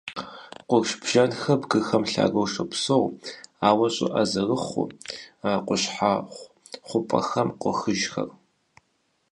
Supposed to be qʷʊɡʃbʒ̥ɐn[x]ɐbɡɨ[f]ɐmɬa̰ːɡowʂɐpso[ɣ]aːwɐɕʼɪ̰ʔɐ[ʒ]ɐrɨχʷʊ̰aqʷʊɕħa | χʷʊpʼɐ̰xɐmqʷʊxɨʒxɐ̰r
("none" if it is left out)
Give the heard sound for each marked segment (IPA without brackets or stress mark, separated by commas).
x, x, w, z